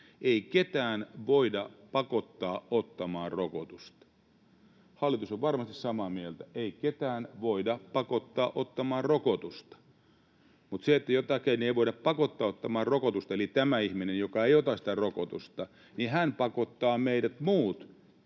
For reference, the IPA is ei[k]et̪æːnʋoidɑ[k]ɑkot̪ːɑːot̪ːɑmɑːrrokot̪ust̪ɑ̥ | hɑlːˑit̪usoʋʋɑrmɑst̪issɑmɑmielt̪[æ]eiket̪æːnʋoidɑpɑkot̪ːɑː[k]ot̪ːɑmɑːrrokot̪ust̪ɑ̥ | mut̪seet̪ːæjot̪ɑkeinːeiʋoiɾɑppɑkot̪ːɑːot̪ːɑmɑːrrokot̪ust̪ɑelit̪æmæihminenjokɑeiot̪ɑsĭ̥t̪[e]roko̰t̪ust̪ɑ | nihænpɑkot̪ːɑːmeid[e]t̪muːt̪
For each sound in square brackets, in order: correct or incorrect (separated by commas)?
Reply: correct, incorrect, correct, incorrect, incorrect, incorrect